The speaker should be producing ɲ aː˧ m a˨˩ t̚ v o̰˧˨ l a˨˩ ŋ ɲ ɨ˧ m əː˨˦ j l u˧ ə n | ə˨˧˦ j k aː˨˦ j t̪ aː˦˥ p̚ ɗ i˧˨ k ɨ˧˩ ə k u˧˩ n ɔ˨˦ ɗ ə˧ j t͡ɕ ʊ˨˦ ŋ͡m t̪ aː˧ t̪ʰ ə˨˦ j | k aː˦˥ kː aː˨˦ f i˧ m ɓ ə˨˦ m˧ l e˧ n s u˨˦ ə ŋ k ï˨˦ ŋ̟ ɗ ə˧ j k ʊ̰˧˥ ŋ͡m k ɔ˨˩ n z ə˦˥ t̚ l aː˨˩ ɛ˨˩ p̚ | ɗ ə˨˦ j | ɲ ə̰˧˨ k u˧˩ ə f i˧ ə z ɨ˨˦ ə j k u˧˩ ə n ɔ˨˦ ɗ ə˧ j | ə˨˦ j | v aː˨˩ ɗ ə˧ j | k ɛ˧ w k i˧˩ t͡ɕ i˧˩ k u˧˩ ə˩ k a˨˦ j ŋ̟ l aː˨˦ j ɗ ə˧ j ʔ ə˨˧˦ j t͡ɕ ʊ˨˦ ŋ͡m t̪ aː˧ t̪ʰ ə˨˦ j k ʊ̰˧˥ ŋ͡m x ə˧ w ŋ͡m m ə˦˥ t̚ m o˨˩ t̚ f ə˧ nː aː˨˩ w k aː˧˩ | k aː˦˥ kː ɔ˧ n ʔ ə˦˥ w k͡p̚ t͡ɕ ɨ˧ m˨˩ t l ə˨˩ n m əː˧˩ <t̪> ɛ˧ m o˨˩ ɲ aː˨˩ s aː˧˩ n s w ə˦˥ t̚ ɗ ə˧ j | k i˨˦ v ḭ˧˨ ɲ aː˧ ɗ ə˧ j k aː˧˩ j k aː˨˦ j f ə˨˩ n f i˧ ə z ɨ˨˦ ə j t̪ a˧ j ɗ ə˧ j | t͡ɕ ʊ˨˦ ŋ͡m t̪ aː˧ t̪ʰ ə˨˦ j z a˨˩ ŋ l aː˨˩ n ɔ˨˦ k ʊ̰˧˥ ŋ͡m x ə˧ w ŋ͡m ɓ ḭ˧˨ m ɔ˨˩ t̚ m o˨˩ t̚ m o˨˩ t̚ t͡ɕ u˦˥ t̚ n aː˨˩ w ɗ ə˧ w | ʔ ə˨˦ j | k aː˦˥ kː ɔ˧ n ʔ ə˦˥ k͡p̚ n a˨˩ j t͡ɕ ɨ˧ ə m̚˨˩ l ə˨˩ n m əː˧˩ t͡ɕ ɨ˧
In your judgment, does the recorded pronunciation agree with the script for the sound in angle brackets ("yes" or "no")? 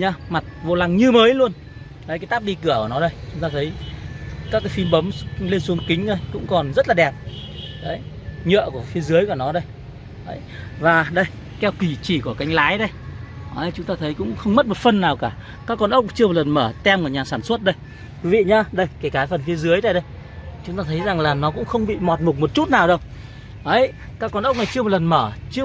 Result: yes